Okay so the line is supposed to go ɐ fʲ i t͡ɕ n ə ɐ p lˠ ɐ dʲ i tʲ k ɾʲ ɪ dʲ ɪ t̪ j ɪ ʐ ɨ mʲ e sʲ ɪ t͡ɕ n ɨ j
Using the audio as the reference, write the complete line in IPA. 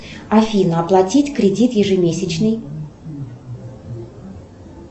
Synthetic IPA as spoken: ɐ fʲ i n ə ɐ p lˠ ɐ tʲ i tʲ k ɾʲ ɪ dʲ i t̪ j ɪ ʐ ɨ mʲ e sʲ ɪ t͡ɕ n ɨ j